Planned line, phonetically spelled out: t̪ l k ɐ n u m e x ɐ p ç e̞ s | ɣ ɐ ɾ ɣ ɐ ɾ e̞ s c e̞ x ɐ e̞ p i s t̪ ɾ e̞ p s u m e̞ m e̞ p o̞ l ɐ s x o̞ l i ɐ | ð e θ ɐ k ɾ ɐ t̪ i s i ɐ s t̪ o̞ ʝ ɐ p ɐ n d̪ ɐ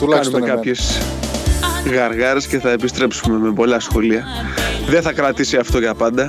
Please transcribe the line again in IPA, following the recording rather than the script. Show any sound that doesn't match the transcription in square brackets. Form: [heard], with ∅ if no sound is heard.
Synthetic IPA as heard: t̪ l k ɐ n u m e [k] ɐ p ç e̞ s | ɣ ɐ ɾ ɣ ɐ ɾ e̞ s c e̞ [θ] ɐ e̞ p i s t̪ ɾ e̞ p s u m e̞ m e̞ p o̞ l ɐ s x o̞ l i ɐ | ð e θ ɐ k ɾ ɐ t̪ i s i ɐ [f] t̪ o̞ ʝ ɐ p ɐ n d̪ ɐ